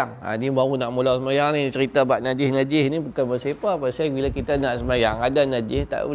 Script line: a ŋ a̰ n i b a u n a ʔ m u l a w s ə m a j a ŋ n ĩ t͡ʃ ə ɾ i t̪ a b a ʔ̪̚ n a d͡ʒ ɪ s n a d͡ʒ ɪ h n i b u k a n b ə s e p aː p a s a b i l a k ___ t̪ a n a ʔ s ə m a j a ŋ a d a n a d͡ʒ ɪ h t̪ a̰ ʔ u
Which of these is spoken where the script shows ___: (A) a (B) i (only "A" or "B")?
B